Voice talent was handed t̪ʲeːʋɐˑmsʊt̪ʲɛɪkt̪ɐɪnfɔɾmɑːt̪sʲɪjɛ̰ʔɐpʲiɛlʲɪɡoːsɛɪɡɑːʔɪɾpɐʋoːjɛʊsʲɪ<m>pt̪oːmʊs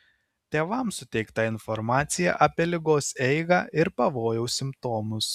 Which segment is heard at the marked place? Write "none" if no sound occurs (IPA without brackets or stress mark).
m